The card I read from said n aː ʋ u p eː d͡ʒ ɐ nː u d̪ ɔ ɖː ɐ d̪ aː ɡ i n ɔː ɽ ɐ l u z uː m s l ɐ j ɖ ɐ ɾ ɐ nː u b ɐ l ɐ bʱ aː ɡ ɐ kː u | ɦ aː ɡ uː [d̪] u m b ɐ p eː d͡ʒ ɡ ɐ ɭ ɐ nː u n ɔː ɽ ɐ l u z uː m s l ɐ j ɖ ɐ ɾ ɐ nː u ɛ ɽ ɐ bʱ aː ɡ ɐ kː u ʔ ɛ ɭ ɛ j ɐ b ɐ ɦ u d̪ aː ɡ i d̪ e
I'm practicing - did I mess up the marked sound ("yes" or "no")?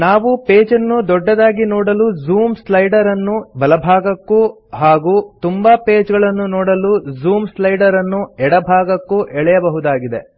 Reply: yes